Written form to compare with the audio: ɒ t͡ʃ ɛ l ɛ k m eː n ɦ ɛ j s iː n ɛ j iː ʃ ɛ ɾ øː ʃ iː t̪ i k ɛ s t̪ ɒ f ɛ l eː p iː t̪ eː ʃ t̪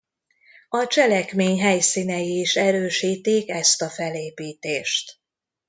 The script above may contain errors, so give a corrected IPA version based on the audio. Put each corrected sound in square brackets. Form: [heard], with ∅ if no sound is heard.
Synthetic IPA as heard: ɒ t͡ʃ ɛ l ɛ k m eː [ɲ] ɦ ɛ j s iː n ɛ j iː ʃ ɛ ɾ øː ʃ iː t̪ i k ɛ s t̪ ɒ f ɛ l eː p iː t̪ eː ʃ t̪